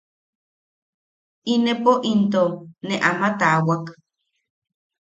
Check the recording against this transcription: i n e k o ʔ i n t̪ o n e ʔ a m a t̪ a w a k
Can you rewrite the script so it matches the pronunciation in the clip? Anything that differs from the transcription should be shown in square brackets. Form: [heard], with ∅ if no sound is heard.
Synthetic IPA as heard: i n e [p] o ʔ i n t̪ o n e ʔ a m a t̪ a w a k